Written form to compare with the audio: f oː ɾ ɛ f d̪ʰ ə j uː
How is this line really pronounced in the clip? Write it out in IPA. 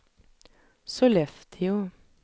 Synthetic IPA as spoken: s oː l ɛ f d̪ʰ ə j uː